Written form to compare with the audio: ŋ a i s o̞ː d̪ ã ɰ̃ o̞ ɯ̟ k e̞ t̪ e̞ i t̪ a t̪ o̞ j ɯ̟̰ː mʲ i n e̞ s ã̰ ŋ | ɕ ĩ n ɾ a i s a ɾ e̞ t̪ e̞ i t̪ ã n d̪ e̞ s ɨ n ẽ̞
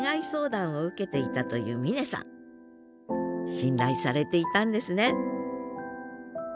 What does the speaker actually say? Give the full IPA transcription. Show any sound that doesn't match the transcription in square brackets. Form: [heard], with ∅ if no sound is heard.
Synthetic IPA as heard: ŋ a i s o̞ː d̪ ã ɰ̃ o̞ ɯ̟ k e̞ t̪ e̞ i t̪ a t̪ o̞ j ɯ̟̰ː mʲ i n e̞ s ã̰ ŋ | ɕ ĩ n ɾ a i s a ɾ e̞ t̪ e̞ i t̪ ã n d̪ e̞ s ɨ n [e̞]